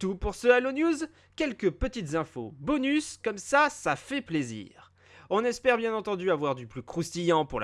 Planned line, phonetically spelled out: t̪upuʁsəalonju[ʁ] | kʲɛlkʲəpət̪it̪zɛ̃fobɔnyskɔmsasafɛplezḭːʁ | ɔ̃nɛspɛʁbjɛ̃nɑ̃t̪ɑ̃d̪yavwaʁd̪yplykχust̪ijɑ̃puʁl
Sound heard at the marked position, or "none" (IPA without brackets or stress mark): z